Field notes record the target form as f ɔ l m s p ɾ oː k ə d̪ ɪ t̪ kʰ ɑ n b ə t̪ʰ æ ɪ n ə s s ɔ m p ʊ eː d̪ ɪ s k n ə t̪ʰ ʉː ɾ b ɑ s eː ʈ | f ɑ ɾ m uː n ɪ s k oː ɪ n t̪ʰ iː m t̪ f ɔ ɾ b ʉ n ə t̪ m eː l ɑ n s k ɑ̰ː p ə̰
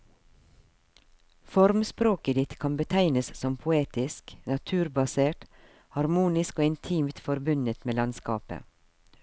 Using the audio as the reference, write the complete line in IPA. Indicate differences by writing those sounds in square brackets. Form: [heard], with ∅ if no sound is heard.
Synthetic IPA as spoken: f ɔ [ɾ] m s p ɾ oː k ə d̪ ɪ t̪ kʰ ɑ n b ə t̪ʰ æ ɪ n ə s s ɔ m [pʰ] ʊ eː [t̪] ɪ s k n [ɑ] t̪ʰ ʉː ɾ b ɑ s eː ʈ | [h] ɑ ɾ m uː n ɪ s k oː ɪ n t̪ʰ iː m t̪ f ɔ ɾ b ʉ n ə t̪ m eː l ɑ n s k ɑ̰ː p ə̰